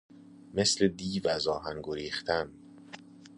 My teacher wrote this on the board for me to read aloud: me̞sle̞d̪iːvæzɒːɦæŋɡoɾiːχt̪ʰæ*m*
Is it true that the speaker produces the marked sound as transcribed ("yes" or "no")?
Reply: no